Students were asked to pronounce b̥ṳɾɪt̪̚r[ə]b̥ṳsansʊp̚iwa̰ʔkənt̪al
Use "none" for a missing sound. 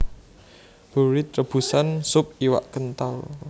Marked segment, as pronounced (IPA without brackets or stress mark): ə